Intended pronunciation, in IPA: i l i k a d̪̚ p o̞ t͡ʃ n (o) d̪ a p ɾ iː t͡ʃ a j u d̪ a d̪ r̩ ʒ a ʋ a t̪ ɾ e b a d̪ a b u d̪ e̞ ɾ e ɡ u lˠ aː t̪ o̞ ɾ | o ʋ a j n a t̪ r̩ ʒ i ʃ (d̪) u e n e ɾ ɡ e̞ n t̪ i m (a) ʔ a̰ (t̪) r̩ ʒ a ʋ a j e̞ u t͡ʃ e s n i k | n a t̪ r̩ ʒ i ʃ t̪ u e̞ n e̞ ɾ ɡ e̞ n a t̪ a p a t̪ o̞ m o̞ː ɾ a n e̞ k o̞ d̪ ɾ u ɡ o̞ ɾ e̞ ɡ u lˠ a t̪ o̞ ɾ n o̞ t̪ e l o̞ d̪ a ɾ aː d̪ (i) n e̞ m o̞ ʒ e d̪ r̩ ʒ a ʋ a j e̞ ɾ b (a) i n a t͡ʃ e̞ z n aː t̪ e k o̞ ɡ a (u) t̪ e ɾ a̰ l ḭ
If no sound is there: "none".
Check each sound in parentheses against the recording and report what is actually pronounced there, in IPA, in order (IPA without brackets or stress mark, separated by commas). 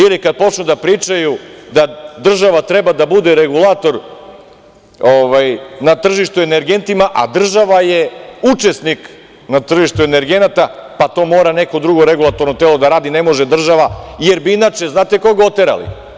u, t̪, a, d̪, i, i, o